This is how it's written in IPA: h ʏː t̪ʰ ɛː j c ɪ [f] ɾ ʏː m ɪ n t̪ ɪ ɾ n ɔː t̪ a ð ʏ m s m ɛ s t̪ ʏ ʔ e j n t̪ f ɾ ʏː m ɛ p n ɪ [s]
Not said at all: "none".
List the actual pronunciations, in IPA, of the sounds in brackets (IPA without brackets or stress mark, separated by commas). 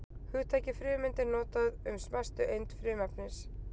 f, s